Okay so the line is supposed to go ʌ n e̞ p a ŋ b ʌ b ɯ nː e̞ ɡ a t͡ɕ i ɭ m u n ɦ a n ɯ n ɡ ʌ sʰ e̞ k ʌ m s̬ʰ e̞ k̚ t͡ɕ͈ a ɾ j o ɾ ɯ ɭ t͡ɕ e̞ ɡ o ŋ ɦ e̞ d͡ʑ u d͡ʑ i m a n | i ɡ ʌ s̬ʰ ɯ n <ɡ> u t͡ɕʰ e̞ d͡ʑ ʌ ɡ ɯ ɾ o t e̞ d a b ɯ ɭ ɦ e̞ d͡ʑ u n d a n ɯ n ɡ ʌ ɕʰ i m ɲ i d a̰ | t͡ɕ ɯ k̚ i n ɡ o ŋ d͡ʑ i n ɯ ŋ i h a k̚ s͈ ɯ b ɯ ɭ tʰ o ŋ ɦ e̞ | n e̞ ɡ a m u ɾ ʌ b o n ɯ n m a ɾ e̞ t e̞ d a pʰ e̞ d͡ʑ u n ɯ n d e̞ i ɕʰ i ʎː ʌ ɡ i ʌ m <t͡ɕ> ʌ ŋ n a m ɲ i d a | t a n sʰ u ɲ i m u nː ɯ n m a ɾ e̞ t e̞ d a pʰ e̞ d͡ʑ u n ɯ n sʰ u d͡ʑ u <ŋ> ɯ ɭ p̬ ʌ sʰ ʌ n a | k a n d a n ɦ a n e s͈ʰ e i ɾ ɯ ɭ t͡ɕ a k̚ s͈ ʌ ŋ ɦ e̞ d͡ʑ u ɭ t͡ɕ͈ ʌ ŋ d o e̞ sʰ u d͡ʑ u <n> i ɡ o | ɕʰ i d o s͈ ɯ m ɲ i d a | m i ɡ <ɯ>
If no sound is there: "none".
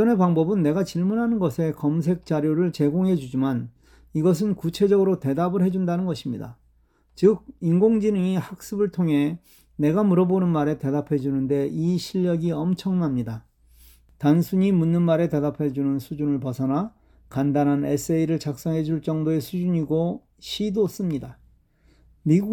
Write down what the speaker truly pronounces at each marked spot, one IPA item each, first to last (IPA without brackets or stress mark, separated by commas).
k, t͡ɕʰ, n, ɲ, u